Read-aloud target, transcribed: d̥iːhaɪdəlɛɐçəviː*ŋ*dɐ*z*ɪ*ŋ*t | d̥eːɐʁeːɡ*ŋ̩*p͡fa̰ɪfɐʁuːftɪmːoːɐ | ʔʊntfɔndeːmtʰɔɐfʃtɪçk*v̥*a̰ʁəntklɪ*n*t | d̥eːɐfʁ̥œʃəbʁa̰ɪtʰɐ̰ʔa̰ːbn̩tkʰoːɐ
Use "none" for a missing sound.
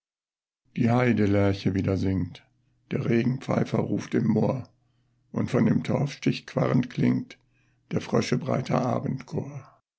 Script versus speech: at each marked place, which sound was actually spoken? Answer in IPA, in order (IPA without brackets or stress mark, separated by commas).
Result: none, z, ŋ, ŋ̩, v̥, ŋ